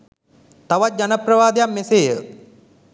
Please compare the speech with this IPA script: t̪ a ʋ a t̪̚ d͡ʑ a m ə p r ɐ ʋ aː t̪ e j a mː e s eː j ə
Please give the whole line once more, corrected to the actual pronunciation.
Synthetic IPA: t̪ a ʋ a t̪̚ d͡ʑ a n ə p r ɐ ʋ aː d̪ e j a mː e s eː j ə